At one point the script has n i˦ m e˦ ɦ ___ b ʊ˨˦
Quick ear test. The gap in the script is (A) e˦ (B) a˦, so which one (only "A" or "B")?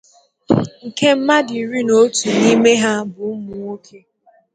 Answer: B